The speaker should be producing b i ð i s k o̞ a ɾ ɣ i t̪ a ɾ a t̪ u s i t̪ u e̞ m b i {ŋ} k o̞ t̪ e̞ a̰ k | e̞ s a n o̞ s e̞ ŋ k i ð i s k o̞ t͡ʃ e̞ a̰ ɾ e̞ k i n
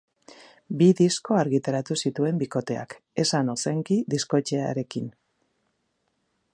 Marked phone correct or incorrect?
incorrect